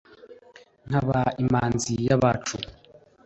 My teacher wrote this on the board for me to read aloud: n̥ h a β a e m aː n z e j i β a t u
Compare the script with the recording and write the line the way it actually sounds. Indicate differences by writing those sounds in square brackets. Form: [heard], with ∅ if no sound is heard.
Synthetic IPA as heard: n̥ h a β a [i] m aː n z [i] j [a] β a [t͡ʃ] u